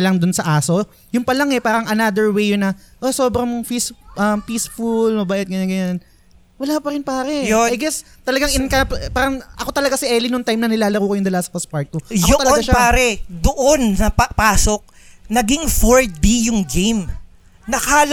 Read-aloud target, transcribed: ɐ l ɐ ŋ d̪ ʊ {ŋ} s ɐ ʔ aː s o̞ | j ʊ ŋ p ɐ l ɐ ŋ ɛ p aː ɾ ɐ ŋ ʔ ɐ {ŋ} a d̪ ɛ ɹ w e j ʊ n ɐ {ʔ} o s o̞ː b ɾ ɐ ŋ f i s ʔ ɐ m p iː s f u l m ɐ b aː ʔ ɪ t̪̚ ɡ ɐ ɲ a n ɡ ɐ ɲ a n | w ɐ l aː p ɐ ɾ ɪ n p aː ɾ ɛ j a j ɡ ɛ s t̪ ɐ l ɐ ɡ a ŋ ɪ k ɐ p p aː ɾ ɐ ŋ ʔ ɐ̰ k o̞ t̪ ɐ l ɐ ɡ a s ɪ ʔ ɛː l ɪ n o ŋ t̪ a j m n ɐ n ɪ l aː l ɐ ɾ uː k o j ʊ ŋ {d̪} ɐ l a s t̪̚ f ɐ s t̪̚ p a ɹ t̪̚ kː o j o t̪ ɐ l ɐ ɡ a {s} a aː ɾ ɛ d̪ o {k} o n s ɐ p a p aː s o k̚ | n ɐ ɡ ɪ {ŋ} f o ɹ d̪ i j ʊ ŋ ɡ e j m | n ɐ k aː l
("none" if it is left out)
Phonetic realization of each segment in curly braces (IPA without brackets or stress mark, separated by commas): n, n, ʔ, d̪, ʃ, ʔ, ŋ